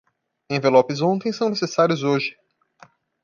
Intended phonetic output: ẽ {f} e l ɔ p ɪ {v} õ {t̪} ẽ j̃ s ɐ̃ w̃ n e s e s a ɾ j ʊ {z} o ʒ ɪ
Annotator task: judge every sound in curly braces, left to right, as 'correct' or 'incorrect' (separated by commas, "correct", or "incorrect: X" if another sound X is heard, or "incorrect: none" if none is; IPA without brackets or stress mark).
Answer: incorrect: v, incorrect: z, correct, correct